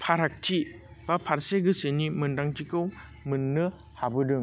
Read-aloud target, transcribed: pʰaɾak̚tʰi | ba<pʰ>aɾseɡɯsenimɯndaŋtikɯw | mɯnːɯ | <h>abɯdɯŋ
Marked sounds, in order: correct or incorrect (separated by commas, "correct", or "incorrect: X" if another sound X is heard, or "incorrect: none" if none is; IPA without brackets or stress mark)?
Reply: correct, correct